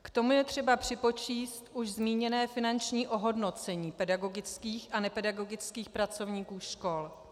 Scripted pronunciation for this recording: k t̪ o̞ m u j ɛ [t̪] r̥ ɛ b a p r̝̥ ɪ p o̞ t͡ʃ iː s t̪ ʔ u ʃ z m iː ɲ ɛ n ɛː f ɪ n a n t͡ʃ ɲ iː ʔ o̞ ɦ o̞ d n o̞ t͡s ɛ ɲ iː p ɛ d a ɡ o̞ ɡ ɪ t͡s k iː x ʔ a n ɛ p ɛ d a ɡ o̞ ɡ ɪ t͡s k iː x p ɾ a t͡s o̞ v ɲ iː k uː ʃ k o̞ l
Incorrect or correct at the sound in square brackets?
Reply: correct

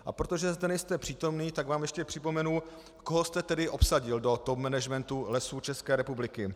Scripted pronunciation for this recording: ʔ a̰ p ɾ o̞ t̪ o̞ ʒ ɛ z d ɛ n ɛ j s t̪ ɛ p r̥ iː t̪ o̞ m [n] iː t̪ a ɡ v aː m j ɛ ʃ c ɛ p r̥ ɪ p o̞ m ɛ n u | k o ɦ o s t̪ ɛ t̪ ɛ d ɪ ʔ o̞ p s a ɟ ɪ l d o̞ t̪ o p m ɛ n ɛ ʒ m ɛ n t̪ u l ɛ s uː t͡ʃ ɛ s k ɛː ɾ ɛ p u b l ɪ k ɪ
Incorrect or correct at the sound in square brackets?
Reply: correct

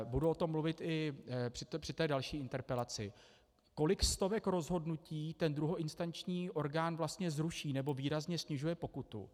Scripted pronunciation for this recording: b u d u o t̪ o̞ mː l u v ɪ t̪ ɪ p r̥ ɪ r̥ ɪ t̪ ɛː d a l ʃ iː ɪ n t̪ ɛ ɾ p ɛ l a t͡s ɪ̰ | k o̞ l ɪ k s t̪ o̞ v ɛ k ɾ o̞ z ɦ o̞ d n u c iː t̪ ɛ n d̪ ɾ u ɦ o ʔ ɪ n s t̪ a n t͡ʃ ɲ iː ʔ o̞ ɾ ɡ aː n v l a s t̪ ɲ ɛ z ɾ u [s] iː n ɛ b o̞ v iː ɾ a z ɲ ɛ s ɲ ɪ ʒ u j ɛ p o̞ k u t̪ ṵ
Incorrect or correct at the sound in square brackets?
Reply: incorrect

